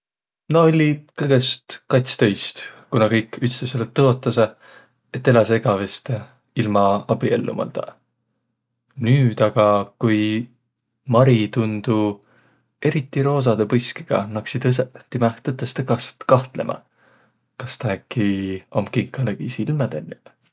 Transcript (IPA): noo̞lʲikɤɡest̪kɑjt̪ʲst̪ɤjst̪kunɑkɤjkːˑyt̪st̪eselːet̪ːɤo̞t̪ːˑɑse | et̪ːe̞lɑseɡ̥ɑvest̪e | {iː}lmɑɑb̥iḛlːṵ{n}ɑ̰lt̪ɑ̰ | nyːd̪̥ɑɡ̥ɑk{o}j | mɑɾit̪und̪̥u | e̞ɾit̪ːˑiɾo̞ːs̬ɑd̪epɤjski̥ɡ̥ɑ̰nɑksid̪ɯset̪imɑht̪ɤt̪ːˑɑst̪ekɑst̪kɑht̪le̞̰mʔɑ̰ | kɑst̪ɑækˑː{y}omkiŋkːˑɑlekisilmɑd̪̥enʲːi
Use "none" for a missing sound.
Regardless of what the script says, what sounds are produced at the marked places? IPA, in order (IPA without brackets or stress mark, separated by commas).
i, m, u, i